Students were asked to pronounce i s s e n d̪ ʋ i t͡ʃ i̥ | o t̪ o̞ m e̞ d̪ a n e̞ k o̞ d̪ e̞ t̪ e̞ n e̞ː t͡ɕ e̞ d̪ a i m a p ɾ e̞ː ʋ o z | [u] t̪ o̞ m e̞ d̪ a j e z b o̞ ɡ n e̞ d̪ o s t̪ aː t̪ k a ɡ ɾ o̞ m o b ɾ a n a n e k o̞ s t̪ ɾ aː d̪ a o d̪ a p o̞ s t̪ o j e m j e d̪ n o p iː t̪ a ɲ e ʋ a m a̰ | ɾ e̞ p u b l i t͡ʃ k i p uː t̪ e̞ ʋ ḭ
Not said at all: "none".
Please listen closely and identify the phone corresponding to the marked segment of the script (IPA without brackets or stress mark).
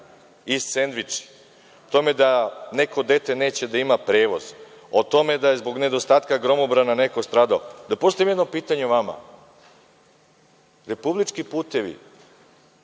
o